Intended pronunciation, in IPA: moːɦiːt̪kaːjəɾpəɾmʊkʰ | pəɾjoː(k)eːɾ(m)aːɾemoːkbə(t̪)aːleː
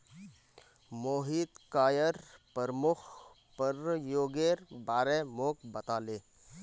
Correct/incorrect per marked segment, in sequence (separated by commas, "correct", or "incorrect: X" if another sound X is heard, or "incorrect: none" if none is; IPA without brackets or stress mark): incorrect: ɡ, incorrect: b, correct